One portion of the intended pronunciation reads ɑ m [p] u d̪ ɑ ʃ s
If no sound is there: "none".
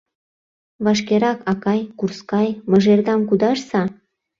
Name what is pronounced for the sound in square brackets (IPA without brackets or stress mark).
k